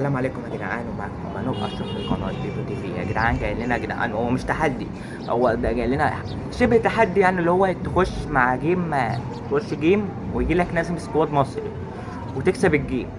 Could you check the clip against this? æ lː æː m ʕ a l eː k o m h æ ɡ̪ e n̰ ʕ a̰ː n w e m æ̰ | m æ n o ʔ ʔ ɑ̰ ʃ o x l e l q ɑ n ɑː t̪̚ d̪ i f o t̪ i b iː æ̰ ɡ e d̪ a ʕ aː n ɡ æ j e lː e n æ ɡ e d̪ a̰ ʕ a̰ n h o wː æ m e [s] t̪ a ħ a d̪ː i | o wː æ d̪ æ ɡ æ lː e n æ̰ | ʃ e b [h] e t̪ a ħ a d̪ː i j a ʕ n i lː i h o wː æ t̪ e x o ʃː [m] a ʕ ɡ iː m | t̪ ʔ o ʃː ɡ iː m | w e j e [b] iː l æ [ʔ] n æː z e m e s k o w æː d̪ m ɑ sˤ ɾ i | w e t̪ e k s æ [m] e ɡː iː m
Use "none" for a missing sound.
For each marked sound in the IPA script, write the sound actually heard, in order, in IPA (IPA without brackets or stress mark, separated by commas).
ʃ, h, m, ɡ, k, b